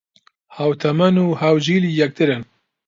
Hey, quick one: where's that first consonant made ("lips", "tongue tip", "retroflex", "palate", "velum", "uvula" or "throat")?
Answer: throat